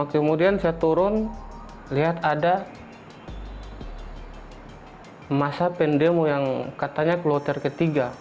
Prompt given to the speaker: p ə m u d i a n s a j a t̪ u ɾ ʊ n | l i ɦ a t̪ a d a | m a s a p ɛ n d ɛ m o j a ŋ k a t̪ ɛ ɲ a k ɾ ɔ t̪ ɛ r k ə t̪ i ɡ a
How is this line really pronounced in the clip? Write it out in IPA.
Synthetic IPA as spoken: k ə m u d i a n s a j a t̪ u ɾ ʊ n | l i ɦ a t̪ a d a | m a s a p ɛ n d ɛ m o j a ŋ k a t̪ a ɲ a k l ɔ t̪ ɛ r k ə t̪ i ɡ a